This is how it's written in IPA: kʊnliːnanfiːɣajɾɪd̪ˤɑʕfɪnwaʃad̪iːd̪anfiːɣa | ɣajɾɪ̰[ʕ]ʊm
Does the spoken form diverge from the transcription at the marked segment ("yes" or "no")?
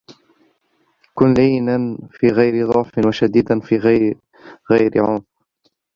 no